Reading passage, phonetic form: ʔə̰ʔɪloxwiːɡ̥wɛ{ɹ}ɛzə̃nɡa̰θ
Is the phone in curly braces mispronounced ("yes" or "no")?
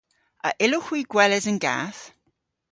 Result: yes